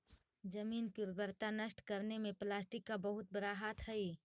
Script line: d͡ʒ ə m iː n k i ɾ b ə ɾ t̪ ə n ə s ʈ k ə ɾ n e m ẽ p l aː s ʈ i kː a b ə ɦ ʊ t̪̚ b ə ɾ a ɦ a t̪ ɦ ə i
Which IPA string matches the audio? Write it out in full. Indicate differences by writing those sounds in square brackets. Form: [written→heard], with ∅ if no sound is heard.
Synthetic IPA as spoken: d͡ʒ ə m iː n k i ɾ b ə ɾ t̪ [ə→a] n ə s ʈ k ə ɾ n e m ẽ p l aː s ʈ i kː a b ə ɦ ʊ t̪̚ b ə ɾ a ɦ a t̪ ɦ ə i